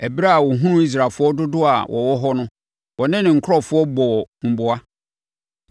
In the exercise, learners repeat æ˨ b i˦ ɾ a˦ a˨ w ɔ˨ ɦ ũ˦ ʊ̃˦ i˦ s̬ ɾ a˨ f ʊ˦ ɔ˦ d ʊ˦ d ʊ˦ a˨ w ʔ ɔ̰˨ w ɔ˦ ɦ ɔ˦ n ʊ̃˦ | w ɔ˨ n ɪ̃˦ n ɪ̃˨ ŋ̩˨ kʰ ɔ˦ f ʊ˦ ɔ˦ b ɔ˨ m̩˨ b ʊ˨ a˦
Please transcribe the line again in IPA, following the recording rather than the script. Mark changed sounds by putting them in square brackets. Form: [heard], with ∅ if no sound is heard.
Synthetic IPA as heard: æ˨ b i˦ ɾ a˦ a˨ w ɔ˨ ɦ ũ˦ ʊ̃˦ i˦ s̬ ɾ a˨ f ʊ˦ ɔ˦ d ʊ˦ d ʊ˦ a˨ w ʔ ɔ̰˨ w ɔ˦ ɦ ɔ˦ n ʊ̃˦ | w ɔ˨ n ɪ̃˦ n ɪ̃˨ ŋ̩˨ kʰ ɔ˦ f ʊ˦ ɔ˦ b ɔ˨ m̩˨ b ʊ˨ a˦